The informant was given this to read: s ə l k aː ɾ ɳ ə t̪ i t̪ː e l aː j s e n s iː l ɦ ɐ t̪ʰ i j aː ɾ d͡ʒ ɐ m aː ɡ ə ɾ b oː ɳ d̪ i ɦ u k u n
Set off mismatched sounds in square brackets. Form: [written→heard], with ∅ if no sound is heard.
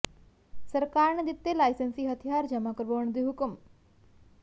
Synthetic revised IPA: s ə [l→ɾ] k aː ɾ ɳ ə [t̪→d̪] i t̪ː e l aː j s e n s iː [l→∅] ɦ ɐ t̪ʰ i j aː ɾ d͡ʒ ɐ m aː [ɡ→k] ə ɾ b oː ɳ d̪ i ɦ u k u [n→m]

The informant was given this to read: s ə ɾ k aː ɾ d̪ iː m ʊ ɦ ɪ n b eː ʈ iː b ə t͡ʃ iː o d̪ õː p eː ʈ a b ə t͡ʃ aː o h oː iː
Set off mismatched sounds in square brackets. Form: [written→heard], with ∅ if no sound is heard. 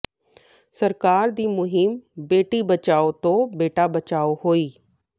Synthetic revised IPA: s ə ɾ k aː ɾ d̪ iː m ʊ ɦ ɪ [n→m] b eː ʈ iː b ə t͡ʃ [iː→aː] o [d̪→t̪] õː [p→b] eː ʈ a b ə t͡ʃ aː o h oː iː

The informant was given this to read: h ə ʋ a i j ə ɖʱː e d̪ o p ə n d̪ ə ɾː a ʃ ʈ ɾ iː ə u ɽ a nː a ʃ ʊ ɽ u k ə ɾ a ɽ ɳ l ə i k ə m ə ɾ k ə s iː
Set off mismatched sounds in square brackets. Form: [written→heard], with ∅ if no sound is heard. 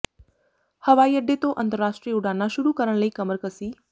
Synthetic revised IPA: h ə ʋ a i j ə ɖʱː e [d̪→t̪] o [p→ʔ] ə n [d̪→t̪] ə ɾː a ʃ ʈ ɾ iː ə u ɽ a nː a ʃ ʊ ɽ u k ə ɾ [a→ə] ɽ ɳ l ə i k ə m ə ɾ k ə s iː

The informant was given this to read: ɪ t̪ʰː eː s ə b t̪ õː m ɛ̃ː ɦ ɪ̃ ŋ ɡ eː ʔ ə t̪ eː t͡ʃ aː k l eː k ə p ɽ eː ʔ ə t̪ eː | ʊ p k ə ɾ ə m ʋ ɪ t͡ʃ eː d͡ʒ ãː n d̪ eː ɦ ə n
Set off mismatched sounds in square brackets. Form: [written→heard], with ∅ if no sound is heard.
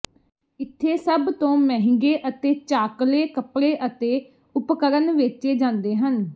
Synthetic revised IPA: ɪ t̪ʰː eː s ə b t̪ õː m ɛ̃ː ɦ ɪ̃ ŋ ɡ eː ʔ ə t̪ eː t͡ʃ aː k l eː k ə p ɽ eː ʔ ə t̪ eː | ʊ p k ə ɾ ə [m→n] ʋ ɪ t͡ʃ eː d͡ʒ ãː n d̪ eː ɦ ə n

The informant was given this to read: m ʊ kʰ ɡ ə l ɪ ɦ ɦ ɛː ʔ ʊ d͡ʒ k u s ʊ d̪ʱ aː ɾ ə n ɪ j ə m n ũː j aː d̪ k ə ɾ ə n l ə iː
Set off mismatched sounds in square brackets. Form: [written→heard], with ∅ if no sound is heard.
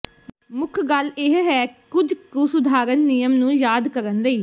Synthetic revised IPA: m ʊ kʰ ɡ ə l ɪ ɦ ɦ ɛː [ʔ→k] ʊ d͡ʒ k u s ʊ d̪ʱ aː ɾ ə [n→nː] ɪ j ə m n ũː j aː d̪ k ə ɾ ə n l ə iː

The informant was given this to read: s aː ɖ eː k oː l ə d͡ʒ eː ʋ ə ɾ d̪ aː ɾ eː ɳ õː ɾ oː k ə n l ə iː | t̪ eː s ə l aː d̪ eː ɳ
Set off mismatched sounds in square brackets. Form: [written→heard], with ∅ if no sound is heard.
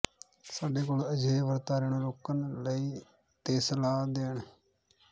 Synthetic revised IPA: s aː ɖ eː k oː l ə d͡ʒ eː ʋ ə ɾ [d̪→t̪] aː ɾ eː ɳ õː ɾ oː k ə n l ə iː | t̪ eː s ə l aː d̪ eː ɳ

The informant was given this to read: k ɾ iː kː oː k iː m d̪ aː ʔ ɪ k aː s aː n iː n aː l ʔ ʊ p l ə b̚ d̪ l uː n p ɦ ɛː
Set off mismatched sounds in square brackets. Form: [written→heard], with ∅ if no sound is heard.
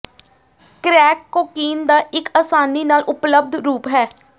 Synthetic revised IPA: k ɾ [iː→ɛː] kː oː k iː [m→n] d̪ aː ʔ ɪ k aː s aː n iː n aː l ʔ ʊ p l ə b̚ d̪ [l→ɾ] uː [n→∅] p ɦ ɛː

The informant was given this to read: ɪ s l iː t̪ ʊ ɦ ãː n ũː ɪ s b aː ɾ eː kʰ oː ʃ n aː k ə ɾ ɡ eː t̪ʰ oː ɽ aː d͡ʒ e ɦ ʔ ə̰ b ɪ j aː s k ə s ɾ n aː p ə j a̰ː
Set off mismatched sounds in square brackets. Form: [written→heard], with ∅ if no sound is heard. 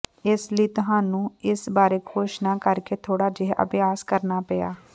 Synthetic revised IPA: ɪ s l iː t̪ ʊ ɦ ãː n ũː ɪ s b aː ɾ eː kʰ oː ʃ n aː k ə ɾ [ɡ→k] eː t̪ʰ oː ɽ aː d͡ʒ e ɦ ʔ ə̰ b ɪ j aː s k ə [s→∅] ɾ n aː p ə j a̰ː

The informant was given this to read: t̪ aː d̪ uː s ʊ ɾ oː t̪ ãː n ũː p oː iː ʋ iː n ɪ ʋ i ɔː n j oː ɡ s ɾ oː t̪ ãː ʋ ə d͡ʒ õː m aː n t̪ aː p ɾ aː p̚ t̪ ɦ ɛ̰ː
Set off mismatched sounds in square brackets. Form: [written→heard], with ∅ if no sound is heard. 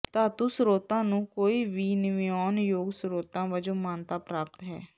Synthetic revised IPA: t̪ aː [d̪→t̪] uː s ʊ ɾ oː t̪ ãː n ũː [p→k] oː iː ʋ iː n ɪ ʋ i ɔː n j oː ɡ s ɾ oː t̪ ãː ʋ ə d͡ʒ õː m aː n t̪ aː p ɾ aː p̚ t̪ ɦ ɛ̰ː

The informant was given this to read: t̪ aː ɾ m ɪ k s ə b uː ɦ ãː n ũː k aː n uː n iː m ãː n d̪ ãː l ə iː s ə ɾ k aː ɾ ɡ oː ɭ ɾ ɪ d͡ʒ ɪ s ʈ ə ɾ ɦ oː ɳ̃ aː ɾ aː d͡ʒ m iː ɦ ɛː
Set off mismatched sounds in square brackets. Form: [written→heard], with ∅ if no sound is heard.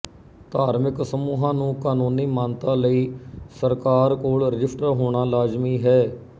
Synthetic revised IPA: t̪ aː ɾ m ɪ k s ə [b→m] uː ɦ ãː n ũː k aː n uː n iː m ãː n [d̪→t̪] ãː l ə iː s ə ɾ k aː ɾ [ɡ→k] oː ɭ ɾ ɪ d͡ʒ ɪ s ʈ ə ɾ ɦ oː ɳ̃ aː [ɾ→l] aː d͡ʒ m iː ɦ ɛː

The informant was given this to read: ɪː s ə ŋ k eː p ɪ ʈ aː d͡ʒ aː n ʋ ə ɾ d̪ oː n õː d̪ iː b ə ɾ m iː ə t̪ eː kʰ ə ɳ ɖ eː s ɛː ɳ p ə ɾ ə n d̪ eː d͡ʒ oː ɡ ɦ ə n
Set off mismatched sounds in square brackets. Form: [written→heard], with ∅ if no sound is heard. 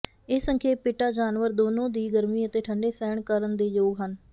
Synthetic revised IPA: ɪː s ə ŋ [k→kʰ] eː p ɪ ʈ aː d͡ʒ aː n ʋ ə ɾ d̪ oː n õː d̪ iː [b→ɡ] ə ɾ m iː ə t̪ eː [kʰ→ʈʰ] ə ɳ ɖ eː s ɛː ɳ [p→k] ə ɾ ə n d̪ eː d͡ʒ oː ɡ ɦ ə n

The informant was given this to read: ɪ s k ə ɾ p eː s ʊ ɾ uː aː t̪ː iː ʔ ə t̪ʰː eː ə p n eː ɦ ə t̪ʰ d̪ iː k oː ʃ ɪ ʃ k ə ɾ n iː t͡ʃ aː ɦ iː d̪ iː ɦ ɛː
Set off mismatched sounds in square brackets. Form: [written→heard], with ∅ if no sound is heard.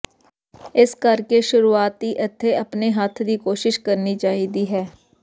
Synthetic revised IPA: ɪ s k ə ɾ [p→k] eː [s→ʃ] ʊ ɾ uː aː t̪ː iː ʔ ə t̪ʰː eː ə p n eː ɦ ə t̪ʰ d̪ iː k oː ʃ ɪ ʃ k ə ɾ n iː t͡ʃ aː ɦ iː d̪ iː ɦ ɛː

